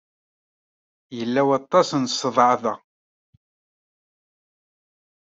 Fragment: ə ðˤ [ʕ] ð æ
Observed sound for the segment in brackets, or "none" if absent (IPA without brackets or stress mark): ʕ